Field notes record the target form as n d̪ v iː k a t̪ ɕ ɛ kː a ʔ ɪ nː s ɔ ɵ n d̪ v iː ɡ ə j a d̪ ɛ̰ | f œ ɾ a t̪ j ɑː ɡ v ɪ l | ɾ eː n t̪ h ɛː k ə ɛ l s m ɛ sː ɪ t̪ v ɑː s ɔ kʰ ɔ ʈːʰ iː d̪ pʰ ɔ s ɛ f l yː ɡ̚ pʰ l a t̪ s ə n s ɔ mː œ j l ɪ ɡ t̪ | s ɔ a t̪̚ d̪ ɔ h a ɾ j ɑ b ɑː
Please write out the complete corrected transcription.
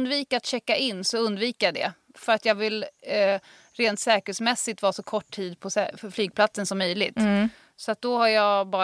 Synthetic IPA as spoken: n d̪ v iː k a t̪ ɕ ɛ kː a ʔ ɪ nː s ɔ ɵ n d̪ v iː k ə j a d̪ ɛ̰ | f œ ɾ a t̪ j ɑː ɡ v ɪ l | ɾ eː n t̪ s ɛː k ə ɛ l s m ɛ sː ɪ t̪ v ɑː s ɔ kʰ ɔ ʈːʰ iː d̪ pʰ ɔ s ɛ f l yː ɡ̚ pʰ l a t̪ s ə n s ɔ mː œ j l ɪ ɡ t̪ | s ɔ a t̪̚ d̪ ɔ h a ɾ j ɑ b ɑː